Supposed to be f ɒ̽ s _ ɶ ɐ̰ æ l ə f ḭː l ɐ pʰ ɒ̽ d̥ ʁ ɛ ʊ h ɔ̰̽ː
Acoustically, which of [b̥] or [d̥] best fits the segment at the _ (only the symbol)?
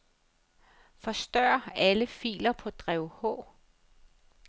d̥